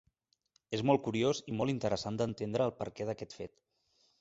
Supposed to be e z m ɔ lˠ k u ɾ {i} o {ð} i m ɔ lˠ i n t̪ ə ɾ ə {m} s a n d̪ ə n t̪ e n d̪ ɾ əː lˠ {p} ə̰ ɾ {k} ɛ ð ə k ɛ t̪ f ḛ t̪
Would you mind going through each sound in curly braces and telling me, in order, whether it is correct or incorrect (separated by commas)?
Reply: correct, incorrect, incorrect, correct, correct